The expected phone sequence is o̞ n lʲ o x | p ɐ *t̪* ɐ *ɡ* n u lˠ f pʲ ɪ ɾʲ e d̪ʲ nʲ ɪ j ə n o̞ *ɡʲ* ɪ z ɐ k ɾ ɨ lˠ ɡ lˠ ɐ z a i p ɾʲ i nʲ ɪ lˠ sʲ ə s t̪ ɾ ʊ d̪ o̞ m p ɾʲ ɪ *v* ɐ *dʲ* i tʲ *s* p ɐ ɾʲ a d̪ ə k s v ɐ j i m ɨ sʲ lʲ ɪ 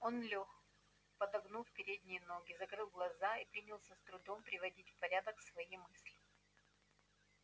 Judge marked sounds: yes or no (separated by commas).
no, yes, yes, yes, yes, no